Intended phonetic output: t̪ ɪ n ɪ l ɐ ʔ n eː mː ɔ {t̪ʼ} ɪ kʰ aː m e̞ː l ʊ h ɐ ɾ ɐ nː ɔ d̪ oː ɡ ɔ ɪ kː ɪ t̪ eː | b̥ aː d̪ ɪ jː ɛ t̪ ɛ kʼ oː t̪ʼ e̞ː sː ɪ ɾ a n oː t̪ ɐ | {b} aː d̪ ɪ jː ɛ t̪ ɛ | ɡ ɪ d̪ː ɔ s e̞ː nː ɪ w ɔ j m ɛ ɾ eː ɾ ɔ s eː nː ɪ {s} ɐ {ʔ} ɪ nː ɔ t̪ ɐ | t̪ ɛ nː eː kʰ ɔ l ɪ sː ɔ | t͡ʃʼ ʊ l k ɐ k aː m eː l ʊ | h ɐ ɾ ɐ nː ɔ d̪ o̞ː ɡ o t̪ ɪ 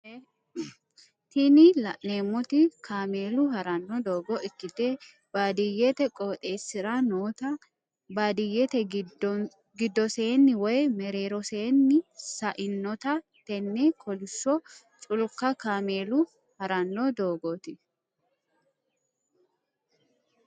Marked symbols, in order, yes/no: no, yes, yes, yes

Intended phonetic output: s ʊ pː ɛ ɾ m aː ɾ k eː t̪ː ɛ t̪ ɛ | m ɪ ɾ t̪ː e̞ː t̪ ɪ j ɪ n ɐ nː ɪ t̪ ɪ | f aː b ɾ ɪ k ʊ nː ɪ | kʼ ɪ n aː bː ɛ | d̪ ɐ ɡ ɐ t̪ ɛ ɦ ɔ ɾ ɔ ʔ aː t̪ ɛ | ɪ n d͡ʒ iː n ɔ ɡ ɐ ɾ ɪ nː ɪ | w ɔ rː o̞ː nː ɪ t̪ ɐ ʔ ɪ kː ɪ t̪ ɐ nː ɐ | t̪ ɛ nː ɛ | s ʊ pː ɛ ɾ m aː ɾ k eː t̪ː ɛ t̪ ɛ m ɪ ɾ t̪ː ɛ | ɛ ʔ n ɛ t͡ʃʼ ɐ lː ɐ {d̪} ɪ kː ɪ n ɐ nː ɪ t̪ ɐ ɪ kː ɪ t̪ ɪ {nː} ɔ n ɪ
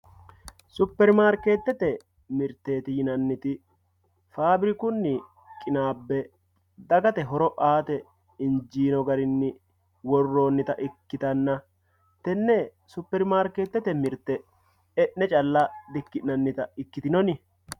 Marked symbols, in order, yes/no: yes, no

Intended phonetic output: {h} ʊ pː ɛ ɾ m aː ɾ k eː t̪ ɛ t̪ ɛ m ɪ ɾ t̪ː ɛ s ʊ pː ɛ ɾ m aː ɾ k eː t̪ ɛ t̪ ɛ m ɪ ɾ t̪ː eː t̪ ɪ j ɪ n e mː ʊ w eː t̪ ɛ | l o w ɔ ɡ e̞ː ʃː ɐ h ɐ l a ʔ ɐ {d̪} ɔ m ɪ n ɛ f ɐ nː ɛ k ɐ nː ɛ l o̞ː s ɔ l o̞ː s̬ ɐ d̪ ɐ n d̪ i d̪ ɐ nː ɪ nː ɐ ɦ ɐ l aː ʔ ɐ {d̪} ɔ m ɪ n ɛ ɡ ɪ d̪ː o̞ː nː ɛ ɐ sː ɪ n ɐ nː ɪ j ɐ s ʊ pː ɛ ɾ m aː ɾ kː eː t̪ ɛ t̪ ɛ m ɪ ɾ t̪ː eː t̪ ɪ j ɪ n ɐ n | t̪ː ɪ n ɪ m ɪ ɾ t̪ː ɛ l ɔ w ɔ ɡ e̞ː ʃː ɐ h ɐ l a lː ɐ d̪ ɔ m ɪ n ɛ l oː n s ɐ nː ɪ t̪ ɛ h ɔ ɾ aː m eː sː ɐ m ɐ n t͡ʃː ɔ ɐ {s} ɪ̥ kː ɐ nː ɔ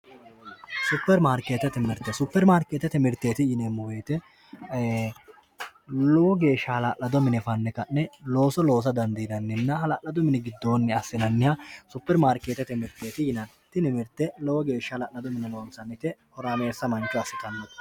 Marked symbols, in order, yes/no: no, yes, yes, yes

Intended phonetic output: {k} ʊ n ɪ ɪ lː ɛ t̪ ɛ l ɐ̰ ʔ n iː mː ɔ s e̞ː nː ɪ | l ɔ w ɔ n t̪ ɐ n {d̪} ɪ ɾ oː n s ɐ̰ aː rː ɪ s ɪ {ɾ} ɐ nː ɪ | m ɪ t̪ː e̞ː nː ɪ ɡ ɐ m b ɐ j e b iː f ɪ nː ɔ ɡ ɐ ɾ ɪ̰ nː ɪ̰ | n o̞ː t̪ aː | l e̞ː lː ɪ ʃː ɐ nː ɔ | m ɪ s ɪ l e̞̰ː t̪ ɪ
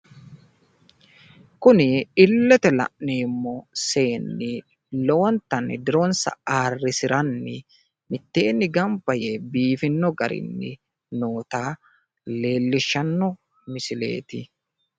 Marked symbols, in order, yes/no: yes, yes, yes

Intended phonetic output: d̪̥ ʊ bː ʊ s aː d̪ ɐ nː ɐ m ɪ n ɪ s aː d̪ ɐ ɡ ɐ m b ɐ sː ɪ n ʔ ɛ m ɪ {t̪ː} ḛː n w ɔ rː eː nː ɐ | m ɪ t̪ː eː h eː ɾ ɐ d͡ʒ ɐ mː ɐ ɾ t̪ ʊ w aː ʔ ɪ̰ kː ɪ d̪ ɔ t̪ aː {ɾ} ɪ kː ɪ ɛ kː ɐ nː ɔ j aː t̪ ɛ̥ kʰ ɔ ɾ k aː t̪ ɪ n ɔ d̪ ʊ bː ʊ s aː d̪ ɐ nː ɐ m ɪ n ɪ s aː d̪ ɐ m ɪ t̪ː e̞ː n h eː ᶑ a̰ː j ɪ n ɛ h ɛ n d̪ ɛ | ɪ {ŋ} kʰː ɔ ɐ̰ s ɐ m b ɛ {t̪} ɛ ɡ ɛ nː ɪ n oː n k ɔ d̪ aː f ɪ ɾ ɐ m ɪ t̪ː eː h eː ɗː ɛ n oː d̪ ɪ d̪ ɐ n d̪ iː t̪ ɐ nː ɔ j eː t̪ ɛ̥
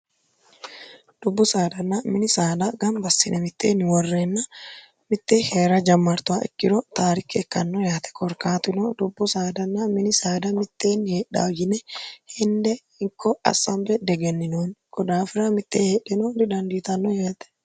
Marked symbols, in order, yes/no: yes, yes, yes, no

